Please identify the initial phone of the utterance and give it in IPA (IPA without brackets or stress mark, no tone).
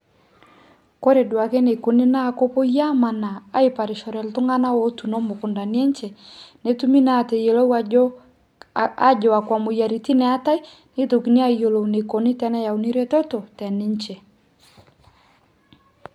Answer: k